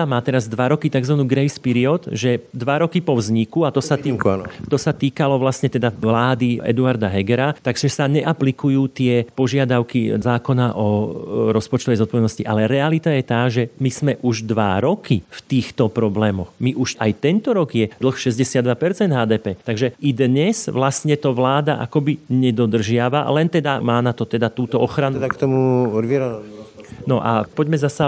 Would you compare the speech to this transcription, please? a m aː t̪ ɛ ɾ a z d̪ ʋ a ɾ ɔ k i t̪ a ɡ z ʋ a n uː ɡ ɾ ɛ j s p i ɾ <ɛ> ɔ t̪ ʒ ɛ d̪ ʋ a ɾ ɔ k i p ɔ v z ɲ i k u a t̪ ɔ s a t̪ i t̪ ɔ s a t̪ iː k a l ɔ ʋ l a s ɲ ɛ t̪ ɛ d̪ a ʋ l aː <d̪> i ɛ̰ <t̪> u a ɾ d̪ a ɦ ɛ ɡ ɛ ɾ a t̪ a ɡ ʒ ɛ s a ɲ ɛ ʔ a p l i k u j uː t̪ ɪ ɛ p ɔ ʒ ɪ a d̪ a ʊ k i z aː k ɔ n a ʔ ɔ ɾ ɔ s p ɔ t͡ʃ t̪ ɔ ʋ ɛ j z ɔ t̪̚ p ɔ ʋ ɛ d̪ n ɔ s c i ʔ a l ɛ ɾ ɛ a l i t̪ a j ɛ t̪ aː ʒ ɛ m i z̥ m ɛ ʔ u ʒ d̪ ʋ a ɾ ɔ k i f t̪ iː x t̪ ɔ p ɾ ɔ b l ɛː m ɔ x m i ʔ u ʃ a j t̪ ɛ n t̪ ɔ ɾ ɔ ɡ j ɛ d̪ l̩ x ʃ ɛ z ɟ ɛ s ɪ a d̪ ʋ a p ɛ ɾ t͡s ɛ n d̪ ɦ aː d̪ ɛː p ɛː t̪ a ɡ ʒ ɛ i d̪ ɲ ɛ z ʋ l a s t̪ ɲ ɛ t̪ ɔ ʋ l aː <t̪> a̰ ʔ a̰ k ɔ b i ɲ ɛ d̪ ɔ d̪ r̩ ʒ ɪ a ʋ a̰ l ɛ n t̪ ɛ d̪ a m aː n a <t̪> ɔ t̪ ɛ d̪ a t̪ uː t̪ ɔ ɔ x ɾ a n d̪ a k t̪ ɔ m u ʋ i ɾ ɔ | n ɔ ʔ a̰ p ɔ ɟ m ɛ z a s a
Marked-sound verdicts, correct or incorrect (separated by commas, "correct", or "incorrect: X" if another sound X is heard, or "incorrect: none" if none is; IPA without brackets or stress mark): incorrect: i, correct, incorrect: d̪, incorrect: d̪, correct